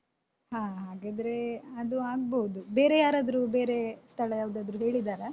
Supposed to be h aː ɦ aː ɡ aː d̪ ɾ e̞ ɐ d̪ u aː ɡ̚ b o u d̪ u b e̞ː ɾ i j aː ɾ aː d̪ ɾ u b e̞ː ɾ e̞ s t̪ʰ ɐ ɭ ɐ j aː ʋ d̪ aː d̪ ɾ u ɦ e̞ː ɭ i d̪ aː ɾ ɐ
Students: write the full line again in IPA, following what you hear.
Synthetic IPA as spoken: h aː ɦ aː ɡ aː d̪ ɾ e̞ ɐ d̪ u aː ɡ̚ b o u d̪ u b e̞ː ɾ e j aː ɾ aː d̪ ɾ u b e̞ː ɾ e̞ s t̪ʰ ɐ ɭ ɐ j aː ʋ d̪ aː d̪ ɾ u ɦ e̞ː ɭ i d̪ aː ɾ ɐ